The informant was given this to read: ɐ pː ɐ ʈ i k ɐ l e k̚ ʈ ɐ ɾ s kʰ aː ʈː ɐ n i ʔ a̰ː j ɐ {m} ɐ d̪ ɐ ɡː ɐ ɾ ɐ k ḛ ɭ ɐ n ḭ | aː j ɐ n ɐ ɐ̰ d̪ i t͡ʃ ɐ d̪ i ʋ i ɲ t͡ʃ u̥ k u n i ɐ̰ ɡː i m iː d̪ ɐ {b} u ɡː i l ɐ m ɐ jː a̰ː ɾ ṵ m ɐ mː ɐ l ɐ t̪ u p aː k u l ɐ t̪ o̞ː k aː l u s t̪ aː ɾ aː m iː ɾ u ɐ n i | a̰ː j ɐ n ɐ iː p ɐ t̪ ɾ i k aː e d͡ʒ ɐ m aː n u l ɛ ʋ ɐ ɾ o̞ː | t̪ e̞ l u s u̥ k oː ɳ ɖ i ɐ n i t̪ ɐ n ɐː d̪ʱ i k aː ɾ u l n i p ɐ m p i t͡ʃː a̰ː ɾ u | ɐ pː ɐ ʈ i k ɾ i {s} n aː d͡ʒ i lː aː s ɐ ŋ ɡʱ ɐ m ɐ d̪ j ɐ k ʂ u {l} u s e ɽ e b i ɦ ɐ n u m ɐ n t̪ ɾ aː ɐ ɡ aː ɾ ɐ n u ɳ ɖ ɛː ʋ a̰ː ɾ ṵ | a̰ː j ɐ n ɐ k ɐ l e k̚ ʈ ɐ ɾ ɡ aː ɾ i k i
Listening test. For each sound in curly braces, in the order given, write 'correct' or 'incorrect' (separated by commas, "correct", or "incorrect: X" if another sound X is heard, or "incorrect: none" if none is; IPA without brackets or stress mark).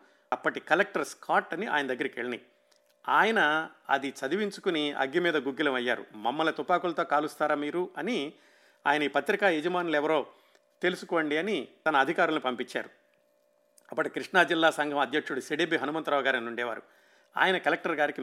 incorrect: n, incorrect: ɡ, incorrect: ʂ, incorrect: ɽ